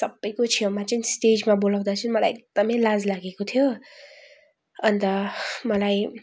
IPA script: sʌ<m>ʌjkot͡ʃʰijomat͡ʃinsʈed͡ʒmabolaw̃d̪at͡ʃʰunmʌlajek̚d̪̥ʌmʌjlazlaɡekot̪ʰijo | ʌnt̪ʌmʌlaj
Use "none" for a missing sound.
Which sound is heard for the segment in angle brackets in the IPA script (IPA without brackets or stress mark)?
b